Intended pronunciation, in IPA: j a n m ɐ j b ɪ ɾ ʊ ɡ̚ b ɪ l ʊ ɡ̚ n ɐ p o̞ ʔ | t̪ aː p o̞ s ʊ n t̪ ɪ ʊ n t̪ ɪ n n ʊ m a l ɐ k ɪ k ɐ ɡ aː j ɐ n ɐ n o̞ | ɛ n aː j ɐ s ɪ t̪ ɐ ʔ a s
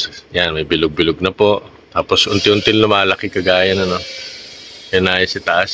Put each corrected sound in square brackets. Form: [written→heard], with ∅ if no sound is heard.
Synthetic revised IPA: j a n m ɐ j b ɪ [ɾ→l] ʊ ɡ̚ b ɪ l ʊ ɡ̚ n ɐ p o̞ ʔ | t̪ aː p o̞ s ʊ n t̪ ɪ ʊ n t̪ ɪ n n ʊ m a l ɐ k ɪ k ɐ ɡ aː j ɐ n ɐ n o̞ | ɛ n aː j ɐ s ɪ t̪ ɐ ʔ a s

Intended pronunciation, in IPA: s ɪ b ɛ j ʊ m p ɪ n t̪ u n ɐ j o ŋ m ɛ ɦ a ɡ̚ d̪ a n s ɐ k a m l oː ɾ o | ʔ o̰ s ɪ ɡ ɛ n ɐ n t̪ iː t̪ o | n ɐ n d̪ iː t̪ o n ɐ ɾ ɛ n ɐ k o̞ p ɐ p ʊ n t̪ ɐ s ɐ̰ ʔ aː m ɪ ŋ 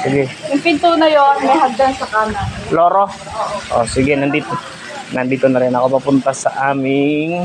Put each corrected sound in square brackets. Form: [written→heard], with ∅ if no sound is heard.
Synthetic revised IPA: s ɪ [b→ɡ] ɛ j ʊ [m→ŋ] p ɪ n t̪ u n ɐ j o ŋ m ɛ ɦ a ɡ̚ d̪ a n s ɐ k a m l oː ɾ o | ʔ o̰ s ɪ ɡ ɛ n ɐ n [t̪→d̪] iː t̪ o | n ɐ n d̪ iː t̪ o n ɐ ɾ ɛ n ɐ k o̞ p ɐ p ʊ n t̪ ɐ s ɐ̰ ʔ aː m ɪ ŋ

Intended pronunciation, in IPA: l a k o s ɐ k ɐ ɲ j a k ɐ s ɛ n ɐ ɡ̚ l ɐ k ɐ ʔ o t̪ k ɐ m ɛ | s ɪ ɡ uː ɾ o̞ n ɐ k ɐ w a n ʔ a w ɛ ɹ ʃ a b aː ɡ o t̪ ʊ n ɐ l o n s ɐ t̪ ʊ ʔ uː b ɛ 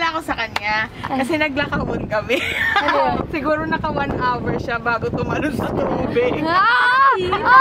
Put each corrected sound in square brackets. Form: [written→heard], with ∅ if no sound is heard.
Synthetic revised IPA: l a k o s ɐ k ɐ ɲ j a k ɐ s ɛ n ɐ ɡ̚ l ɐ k ɐ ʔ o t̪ k ɐ m ɛ | s ɪ ɡ uː ɾ o̞ n ɐ k ɐ w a n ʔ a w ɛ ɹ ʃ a b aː ɡ o t̪ ʊ [n→m] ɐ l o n s ɐ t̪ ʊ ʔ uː b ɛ

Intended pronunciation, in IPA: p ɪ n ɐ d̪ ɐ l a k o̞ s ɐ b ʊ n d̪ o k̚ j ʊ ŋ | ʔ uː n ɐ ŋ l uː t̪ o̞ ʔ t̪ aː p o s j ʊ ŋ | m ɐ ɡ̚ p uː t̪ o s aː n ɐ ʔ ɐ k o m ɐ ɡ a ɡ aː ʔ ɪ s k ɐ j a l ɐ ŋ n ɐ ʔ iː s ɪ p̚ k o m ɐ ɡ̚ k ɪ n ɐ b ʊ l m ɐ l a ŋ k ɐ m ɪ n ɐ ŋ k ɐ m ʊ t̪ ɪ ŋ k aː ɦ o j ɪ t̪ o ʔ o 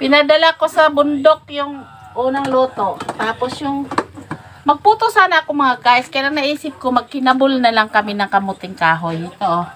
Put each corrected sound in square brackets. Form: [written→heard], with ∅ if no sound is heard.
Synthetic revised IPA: p ɪ n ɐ d̪ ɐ l a k o̞ s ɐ b ʊ n d̪ o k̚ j ʊ ŋ | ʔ uː n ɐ ŋ l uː t̪ o̞ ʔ t̪ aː p o s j ʊ ŋ | m ɐ ɡ̚ p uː t̪ o s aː n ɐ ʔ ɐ k o m ɐ [ɡ→ŋ] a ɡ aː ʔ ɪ s k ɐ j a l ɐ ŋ n ɐ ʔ iː s ɪ p̚ k o m ɐ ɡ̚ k ɪ n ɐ b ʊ l [m→n] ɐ l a ŋ k ɐ m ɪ n ɐ ŋ k ɐ m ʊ t̪ ɪ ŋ k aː ɦ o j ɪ t̪ o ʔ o

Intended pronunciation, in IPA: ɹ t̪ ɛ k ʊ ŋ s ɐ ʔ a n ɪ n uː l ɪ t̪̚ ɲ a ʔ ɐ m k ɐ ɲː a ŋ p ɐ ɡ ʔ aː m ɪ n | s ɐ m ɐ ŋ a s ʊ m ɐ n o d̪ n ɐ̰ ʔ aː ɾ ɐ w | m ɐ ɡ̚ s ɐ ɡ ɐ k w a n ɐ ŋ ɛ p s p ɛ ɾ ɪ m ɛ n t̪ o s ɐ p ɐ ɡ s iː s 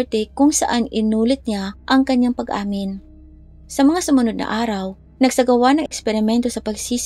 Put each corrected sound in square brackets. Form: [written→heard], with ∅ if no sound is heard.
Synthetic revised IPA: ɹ t̪ ɛ k ʊ ŋ s ɐ ʔ a n ɪ n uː l ɪ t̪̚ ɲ a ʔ ɐ [m→ŋ] k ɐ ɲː a ŋ p ɐ ɡ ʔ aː m ɪ n | s ɐ m ɐ ŋ a s ʊ m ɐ n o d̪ n ɐ̰ ʔ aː ɾ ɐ w | [m→n] ɐ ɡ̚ s ɐ ɡ ɐ [k→∅] w a n ɐ ŋ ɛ [p→k] s p ɛ ɾ ɪ m ɛ n t̪ o s ɐ p ɐ ɡ s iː s

